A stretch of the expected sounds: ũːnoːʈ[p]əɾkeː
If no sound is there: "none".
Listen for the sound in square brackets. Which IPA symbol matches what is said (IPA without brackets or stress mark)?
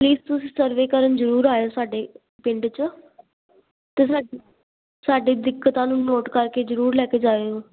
k